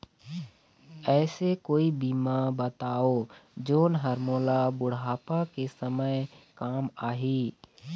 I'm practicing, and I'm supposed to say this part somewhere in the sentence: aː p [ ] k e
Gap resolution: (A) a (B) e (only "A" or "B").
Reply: A